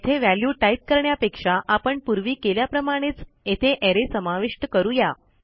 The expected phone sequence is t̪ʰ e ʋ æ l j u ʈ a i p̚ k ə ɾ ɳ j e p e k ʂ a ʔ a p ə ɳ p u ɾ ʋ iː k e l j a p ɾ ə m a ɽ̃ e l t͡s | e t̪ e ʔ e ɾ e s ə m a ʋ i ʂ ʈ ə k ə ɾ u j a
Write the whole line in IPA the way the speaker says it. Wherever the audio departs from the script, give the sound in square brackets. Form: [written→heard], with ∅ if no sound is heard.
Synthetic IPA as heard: t̪ʰ e ʋ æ l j u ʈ a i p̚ k ə ɾ ɳ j [e→a] p e k ʂ a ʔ a p ə ɳ p u ɾ ʋ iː k e l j a p ɾ ə m a ɽ̃ e [l→∅] t͡s | e [t̪→t̪ʰ] e ʔ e ɾ e s ə m a ʋ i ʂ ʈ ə k ə ɾ u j a